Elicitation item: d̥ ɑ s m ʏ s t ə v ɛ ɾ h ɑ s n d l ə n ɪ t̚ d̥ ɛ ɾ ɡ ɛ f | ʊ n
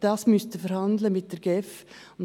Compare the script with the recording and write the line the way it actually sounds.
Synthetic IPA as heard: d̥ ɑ s m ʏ s t ə f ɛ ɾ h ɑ n d l ə m ɪ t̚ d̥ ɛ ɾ ɡ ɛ f | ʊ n